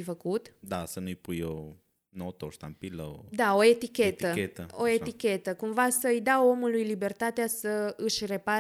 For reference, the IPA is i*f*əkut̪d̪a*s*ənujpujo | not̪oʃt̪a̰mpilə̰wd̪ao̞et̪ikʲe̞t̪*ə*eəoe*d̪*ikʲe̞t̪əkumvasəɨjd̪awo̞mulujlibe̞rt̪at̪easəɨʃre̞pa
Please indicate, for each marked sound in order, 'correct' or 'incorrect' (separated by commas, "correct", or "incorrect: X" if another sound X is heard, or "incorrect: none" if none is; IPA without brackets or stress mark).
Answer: correct, correct, correct, incorrect: t̪